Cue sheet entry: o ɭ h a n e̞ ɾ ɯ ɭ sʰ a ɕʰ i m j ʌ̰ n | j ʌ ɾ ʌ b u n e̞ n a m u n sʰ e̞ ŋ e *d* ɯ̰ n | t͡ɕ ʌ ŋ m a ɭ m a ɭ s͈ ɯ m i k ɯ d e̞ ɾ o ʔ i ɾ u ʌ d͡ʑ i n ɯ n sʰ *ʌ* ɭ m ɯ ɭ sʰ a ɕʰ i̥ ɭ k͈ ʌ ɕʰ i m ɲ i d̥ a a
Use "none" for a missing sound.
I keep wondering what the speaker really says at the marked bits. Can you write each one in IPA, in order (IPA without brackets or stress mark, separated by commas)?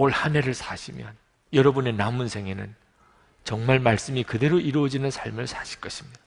n, a